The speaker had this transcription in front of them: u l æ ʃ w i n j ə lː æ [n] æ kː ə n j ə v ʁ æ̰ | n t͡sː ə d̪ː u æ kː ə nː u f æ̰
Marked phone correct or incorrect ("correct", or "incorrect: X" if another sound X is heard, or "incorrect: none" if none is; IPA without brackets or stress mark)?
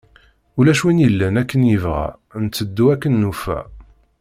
correct